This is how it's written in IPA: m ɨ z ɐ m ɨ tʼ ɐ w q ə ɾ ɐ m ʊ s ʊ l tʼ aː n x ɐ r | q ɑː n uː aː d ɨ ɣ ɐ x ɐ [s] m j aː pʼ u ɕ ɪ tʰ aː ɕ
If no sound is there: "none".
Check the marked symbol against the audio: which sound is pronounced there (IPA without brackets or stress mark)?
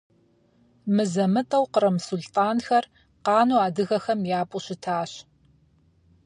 none